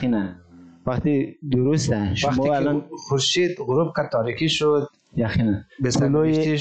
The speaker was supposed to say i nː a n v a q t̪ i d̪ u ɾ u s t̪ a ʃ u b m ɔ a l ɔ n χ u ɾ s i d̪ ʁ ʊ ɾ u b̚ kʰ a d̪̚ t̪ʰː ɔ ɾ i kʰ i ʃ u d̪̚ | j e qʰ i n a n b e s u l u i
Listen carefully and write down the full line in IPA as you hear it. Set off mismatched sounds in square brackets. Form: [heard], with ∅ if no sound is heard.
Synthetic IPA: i [n] a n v a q t̪ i d̪ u ɾ u s t̪ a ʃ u [∅] m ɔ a l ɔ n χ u ɾ [ʃ] i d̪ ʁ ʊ ɾ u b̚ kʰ a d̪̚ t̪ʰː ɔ ɾ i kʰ i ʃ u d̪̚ | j [a] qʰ i n a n b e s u l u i